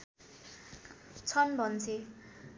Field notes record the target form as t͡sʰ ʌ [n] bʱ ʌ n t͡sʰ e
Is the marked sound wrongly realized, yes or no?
no